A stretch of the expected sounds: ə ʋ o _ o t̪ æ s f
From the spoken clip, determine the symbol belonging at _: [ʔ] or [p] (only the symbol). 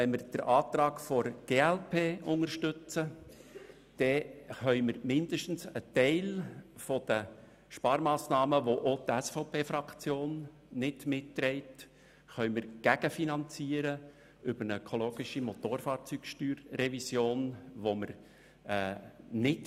ʔ